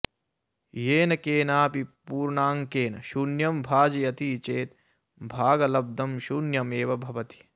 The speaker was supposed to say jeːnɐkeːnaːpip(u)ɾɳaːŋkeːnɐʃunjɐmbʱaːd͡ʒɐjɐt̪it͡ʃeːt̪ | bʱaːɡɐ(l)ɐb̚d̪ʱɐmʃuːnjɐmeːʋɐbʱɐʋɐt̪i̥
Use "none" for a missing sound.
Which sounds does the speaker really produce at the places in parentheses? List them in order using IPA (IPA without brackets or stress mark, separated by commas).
uː, l